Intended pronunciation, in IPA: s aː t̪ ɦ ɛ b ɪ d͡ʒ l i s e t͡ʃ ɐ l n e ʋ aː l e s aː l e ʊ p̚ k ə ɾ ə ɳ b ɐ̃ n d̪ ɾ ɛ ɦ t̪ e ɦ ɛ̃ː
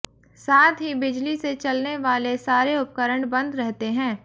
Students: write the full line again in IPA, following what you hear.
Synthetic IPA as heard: s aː t̪ ɦ i b ɪ d͡ʒ l i s e t͡ʃ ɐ l n e ʋ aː l e s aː ɾ e ʊ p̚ k ə ɾ ə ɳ b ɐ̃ n d̪ ɾ ɛ ɦ t̪ e ɦ ɛ̃ː